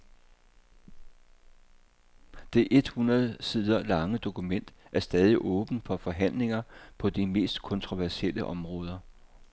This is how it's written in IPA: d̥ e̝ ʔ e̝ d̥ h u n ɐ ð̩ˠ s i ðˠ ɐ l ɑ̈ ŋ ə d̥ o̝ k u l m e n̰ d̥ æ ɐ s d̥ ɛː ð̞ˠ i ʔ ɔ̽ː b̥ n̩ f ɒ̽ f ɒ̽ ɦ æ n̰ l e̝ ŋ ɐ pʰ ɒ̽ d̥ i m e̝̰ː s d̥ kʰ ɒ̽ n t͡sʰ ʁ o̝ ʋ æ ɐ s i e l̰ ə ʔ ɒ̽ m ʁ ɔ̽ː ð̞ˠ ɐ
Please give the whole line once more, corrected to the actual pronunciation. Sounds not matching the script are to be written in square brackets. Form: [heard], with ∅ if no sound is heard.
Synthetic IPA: d̥ e̝ ʔ e̝ d̥ h u n ɐ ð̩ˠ s i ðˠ ɐ l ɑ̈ ŋ ə d̥ o̝ k u [∅] m e n̰ d̥ æ ɐ s d̥ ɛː ð̞ˠ i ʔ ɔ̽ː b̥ n̩ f ɒ̽ f ɒ̽ ɦ æ n̰ l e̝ ŋ ɐ pʰ ɒ̽ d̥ i m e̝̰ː s d̥ kʰ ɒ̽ n t͡sʰ ʁ o̝ ʋ æ ɐ s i e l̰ ə ʔ ɒ̽ m ʁ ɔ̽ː ð̞ˠ ɐ